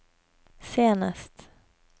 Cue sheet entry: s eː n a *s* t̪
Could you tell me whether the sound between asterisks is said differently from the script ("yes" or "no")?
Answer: no